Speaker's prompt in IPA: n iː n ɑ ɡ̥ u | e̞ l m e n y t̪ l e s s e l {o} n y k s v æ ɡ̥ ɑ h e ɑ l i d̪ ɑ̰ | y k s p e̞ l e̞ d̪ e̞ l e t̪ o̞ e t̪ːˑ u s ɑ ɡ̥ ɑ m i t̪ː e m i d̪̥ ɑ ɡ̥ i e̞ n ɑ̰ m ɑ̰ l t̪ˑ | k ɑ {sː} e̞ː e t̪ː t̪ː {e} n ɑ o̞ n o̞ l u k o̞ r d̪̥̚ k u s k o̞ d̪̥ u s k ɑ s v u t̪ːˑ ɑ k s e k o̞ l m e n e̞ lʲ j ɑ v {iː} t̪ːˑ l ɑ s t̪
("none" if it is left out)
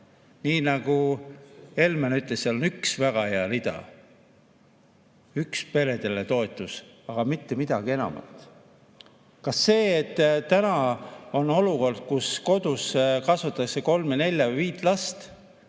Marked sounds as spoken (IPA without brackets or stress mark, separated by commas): o, sː, æ, iː